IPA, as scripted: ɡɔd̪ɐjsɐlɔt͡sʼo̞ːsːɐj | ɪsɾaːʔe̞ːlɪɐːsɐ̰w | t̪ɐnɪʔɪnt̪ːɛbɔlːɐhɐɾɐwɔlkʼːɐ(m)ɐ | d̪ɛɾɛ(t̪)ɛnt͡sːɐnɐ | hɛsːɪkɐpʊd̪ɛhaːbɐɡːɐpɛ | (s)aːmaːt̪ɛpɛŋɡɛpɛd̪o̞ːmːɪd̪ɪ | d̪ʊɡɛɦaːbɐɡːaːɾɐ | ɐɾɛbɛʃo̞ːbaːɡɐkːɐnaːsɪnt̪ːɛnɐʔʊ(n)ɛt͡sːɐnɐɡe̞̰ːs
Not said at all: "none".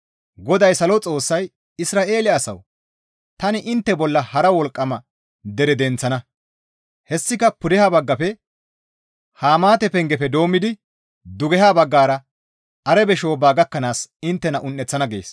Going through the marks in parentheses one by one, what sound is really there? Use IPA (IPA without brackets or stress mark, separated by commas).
m, d̪, h, nː